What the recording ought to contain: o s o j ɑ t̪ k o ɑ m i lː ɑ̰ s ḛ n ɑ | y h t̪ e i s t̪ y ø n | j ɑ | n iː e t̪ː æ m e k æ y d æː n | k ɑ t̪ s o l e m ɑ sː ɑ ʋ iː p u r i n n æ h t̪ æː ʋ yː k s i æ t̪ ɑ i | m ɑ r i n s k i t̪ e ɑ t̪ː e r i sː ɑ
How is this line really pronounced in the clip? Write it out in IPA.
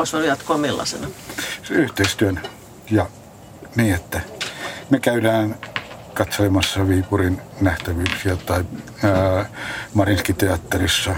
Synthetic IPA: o s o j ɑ t̪ k o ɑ m i lː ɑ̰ s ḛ n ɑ | y h t̪ e i s t̪ y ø n | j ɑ | n iː e t̪ː æ m e k æ y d æː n | k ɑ t̪ s o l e m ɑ sː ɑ ʋ iː p u r i n n æ h t̪ æ ʋ yː k s i æ t̪ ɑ i | m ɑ r i n s k i t̪ e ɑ t̪ː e r i sː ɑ